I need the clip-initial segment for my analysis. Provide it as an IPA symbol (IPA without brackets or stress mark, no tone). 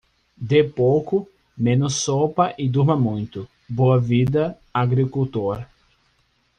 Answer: d̪